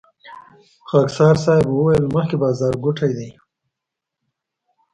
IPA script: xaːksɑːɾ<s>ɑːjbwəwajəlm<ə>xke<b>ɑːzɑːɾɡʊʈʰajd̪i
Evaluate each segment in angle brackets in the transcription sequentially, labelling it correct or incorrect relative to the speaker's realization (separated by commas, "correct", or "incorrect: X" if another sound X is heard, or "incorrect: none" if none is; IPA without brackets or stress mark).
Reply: correct, correct, correct